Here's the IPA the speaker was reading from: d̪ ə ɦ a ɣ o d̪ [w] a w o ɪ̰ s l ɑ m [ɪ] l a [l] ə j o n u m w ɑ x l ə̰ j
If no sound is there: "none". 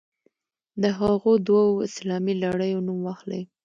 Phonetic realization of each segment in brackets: w, i, ɽ

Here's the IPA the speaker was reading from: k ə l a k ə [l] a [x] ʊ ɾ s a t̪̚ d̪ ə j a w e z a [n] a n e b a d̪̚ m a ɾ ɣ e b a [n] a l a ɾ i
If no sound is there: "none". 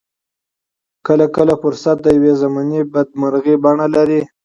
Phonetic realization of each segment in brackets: l, f, m, ɳ

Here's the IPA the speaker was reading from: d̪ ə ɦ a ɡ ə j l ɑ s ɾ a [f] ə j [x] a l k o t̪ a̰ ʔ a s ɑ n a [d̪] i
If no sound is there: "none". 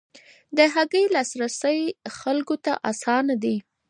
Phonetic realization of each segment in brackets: s, x, d̪

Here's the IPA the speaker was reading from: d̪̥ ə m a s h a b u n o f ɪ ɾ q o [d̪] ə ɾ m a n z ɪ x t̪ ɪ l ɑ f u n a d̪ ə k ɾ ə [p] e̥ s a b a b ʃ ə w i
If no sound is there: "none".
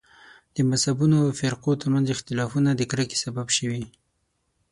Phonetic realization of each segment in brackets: t̪, k

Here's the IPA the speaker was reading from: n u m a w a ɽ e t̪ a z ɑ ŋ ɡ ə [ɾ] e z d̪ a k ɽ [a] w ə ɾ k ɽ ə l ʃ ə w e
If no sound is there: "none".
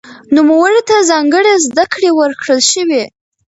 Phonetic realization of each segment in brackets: ɽ, e

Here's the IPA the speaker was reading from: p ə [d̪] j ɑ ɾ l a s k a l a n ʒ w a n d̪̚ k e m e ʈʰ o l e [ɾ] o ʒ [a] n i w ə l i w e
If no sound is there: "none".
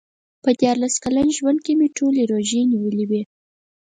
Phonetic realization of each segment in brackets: d̪, ɾ, e

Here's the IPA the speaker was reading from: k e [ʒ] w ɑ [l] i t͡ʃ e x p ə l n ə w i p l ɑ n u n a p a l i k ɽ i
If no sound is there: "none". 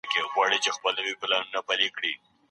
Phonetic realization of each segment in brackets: ɣ, ɽ

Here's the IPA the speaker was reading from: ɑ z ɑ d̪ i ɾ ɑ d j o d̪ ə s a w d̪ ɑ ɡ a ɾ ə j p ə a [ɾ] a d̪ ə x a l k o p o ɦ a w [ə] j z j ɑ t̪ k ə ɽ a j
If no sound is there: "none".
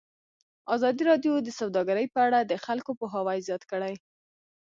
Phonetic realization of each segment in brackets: ɽ, a

